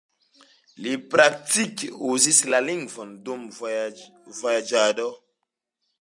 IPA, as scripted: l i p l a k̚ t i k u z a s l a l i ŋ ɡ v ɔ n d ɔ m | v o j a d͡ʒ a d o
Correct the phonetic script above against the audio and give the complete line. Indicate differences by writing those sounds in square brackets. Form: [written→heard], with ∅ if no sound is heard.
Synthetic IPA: l i p [l→ɾ] a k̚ t i k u z [a→i] s l a l i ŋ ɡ v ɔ n d [ɔ→u] m | v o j a d͡ʒ a d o